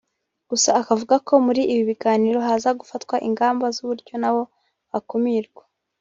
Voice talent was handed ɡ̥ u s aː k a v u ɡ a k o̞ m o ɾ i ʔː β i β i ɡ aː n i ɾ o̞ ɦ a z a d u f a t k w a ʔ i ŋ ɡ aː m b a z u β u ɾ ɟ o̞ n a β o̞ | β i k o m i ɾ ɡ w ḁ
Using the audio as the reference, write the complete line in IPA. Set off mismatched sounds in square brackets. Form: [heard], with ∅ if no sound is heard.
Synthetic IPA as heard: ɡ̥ u s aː k a v u ɡ a k o̞ m [u] ɾ i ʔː β i β i ɡ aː n i ɾ o̞ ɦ a z a [ɡ] u f a t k w a ʔ i ŋ ɡ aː m b a z u β u ɾ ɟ o̞ n a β o̞ | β [a] k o m i ɾ ɡ w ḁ